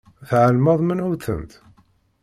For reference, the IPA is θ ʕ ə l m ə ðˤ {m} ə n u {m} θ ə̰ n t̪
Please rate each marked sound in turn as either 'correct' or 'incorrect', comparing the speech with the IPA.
correct, incorrect

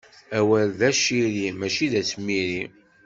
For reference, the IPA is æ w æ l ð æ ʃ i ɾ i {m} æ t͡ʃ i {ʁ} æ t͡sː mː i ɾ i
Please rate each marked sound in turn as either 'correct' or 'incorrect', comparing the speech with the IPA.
correct, incorrect

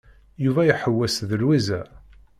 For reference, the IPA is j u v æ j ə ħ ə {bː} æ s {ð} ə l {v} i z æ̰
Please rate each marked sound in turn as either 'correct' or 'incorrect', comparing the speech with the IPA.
incorrect, correct, incorrect

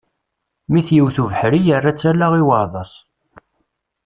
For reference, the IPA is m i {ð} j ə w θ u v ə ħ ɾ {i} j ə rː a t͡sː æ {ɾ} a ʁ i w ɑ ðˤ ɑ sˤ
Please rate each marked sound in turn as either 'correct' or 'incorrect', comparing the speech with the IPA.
incorrect, correct, incorrect

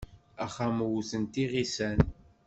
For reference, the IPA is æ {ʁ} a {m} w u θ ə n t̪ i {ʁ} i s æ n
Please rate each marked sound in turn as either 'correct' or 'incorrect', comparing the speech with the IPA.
incorrect, correct, correct

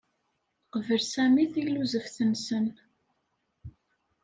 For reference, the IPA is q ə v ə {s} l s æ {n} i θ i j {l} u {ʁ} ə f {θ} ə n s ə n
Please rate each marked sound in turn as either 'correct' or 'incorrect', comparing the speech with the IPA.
incorrect, incorrect, correct, incorrect, correct

